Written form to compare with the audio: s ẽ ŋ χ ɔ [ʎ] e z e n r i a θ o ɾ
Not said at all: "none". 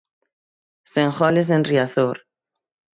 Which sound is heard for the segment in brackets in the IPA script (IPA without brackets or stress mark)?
l